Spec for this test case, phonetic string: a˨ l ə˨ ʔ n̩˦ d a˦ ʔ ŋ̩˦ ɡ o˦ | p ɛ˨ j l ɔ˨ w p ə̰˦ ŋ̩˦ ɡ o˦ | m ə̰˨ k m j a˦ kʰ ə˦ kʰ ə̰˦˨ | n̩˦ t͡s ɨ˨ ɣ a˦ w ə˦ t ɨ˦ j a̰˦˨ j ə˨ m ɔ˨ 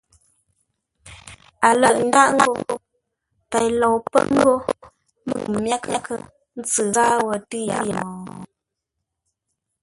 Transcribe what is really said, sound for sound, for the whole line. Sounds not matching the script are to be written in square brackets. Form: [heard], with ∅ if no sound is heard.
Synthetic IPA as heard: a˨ l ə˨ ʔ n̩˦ d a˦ ʔ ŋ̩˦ ɡ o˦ | p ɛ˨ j l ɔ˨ w p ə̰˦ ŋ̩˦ ɡ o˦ | m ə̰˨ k m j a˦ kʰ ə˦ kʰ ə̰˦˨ | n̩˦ t͡s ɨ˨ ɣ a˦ w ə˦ t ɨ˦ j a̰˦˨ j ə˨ m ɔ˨